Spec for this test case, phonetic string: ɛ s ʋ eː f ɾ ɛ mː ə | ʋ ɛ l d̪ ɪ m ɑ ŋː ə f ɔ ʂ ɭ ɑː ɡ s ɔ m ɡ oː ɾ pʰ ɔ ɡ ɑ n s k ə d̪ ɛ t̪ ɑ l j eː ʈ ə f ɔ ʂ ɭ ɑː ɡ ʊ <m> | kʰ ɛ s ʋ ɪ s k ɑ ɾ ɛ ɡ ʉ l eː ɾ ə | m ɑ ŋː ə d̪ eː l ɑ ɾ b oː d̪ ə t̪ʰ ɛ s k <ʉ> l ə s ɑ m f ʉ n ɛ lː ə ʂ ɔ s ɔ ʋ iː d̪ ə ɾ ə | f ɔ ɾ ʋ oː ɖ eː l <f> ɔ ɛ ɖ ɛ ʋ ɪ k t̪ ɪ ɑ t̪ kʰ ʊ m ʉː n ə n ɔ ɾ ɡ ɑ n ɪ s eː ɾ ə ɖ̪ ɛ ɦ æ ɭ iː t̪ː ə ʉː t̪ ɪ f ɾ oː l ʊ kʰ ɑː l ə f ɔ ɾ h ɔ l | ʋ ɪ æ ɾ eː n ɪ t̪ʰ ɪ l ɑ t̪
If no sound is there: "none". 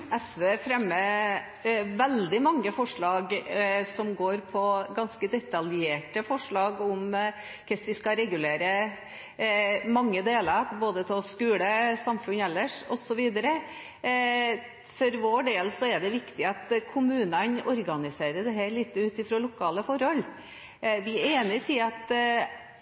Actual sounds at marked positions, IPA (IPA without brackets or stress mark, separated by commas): m, ʉː, s